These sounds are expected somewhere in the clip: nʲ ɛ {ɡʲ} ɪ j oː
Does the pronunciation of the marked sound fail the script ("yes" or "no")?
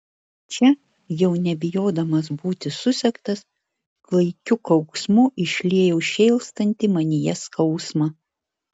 yes